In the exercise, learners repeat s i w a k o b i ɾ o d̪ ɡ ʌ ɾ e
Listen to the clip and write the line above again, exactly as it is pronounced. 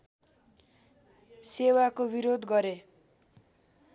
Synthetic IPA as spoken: s e w a k o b i ɾ o d̪ ɡ ʌ ɾ e